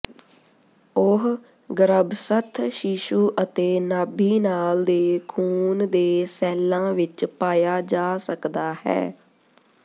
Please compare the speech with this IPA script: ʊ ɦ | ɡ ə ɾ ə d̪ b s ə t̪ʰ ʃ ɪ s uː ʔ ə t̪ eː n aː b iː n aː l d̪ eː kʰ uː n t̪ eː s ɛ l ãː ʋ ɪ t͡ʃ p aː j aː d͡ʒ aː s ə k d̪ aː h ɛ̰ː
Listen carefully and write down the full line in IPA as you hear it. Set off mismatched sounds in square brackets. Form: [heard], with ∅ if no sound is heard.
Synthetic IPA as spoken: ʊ ɦ | ɡ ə ɾ ə [∅] b s ə t̪ʰ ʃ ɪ [ʃ] uː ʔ ə t̪ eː n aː b iː n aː l d̪ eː kʰ uː n [d̪] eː s [ɛː] l ãː ʋ ɪ t͡ʃ p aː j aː d͡ʒ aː s ə k d̪ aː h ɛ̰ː